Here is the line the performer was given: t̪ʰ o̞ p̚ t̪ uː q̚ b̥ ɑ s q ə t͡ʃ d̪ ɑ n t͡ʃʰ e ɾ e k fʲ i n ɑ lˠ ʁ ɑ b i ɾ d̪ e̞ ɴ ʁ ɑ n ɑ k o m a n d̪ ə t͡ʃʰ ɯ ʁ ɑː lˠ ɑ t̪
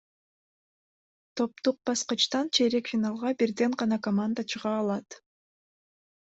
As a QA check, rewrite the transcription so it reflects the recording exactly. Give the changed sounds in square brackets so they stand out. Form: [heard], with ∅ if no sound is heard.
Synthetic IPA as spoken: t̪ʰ o̞ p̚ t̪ [u] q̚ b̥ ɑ s q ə t͡ʃ [t̪] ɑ n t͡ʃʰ e ɾ e k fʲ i n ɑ lˠ ʁ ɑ b i ɾ d̪ e̞ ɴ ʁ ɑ n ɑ k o m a n d̪ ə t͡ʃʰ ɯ ʁ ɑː lˠ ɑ t̪